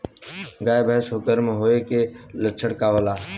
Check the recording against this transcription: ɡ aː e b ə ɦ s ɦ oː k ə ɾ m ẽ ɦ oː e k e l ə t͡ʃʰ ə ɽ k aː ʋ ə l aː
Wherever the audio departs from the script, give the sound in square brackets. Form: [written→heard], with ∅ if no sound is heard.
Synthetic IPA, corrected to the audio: ɡ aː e b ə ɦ s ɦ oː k ə ɾ m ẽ ɦ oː e k e l ə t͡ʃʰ ə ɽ k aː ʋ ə l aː